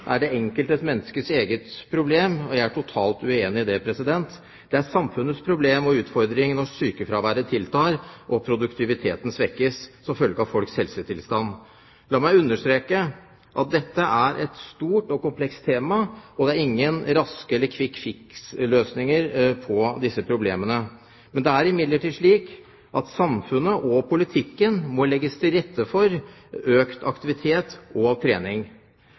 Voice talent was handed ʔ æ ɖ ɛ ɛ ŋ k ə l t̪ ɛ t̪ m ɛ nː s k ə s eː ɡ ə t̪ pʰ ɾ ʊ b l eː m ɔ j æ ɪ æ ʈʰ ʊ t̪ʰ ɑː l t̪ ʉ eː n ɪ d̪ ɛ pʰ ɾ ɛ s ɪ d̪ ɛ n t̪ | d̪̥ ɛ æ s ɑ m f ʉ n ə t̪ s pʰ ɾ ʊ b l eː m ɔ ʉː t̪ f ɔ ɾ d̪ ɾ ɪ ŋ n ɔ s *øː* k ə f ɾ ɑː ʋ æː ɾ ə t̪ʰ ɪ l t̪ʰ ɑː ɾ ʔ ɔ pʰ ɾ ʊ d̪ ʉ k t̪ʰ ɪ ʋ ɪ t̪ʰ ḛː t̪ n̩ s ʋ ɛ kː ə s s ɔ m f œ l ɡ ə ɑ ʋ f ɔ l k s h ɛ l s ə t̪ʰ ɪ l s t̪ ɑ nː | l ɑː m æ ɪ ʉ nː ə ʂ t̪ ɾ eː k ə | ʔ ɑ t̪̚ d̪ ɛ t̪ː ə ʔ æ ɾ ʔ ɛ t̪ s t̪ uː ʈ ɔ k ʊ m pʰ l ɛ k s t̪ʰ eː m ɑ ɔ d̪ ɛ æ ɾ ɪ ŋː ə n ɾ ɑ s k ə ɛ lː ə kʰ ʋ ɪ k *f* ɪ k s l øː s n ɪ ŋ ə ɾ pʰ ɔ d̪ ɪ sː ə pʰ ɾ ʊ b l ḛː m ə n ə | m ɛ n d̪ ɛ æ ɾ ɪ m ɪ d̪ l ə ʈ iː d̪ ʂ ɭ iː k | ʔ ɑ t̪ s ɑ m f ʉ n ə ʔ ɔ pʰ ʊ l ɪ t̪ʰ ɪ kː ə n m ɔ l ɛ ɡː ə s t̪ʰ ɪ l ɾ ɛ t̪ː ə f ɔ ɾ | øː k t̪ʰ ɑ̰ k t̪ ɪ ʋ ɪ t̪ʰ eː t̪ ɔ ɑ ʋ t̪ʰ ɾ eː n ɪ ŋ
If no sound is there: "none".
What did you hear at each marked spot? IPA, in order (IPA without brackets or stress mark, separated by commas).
yː, f